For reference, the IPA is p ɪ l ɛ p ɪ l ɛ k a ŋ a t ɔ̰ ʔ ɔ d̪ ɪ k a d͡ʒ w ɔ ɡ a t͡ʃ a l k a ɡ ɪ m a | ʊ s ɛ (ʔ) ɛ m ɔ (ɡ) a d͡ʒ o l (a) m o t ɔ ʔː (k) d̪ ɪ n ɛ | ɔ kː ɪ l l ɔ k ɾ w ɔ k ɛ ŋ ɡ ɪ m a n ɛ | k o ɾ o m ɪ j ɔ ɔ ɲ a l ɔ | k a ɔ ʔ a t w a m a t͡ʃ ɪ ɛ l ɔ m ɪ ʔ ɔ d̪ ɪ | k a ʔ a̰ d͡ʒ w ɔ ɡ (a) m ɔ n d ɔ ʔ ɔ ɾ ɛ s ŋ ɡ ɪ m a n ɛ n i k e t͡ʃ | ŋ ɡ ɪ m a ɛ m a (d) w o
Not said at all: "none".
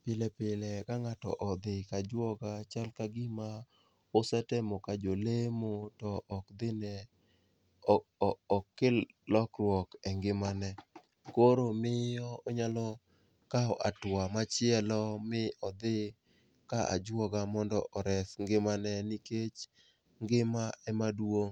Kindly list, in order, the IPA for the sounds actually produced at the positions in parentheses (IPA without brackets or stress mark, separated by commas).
t, k, e, k, a, d